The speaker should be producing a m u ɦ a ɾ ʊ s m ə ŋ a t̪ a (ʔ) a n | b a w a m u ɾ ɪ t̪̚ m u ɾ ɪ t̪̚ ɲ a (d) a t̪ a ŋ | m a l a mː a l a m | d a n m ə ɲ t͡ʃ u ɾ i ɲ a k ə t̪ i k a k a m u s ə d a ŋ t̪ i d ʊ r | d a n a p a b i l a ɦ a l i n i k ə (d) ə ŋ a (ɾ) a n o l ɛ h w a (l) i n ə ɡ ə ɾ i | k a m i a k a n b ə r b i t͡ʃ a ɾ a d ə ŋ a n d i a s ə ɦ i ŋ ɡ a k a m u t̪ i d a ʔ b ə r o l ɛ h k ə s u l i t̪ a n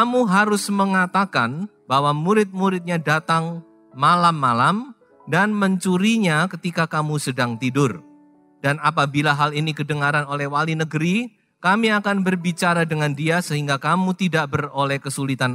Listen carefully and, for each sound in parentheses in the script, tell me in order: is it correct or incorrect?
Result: incorrect, correct, correct, correct, correct

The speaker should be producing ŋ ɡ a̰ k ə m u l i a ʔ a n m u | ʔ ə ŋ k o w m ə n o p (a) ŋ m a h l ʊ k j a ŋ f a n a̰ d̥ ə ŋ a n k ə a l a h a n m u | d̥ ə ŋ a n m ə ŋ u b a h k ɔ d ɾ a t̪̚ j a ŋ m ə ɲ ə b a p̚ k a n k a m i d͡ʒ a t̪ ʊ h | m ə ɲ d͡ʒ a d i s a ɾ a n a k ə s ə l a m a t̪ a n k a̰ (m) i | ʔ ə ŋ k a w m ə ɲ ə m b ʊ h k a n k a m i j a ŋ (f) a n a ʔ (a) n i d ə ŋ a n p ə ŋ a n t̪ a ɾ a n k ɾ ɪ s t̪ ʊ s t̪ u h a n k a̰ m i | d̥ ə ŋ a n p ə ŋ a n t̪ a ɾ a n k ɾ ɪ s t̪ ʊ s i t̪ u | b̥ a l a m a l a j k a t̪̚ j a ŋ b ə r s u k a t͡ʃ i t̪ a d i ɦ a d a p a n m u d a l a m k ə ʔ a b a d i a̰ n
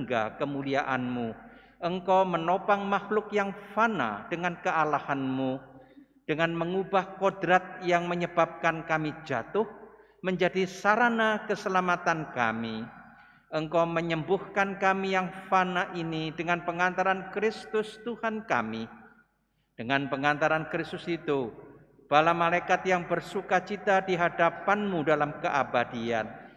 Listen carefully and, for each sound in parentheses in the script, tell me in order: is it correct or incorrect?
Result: correct, correct, correct, incorrect

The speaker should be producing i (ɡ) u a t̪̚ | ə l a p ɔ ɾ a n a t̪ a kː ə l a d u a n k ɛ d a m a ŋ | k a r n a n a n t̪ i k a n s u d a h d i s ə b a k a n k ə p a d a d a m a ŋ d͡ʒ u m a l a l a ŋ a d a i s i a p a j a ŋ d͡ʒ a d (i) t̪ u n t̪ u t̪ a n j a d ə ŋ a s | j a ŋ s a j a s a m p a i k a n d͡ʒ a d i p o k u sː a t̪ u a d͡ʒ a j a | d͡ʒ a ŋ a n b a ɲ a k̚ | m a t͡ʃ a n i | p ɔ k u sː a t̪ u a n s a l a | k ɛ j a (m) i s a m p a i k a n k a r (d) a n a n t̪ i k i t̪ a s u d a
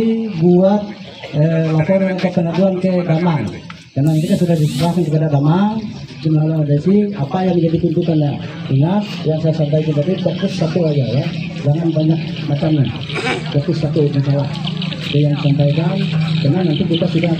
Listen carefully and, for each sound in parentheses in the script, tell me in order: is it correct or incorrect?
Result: correct, correct, incorrect, incorrect

